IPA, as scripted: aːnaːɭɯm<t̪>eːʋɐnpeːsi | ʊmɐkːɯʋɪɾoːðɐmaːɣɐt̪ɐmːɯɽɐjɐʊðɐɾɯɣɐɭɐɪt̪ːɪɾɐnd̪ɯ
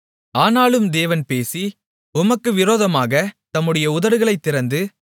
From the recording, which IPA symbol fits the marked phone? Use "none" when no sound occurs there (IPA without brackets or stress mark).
d̪